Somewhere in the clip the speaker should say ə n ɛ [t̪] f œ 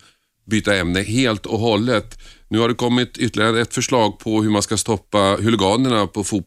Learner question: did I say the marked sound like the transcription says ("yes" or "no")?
yes